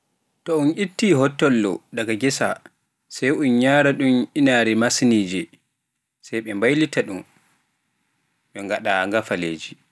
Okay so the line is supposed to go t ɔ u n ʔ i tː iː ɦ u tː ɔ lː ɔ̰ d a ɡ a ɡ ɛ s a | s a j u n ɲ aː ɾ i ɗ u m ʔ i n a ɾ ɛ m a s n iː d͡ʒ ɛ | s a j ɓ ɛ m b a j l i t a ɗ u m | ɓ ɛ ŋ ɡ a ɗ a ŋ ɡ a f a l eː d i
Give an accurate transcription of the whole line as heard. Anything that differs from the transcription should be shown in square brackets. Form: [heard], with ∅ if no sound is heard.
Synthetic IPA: t ɔ u n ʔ i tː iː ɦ [ɔ] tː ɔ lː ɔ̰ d a ɡ a ɡ ɛ s a | s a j u n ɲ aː ɾ [a] ɗ u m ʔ i n a ɾ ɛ m a s n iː d͡ʒ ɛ | s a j ɓ ɛ m b a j l i t a ɗ u m | ɓ ɛ ŋ ɡ a ɗ a ŋ ɡ a f a l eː [d͡ʒ] i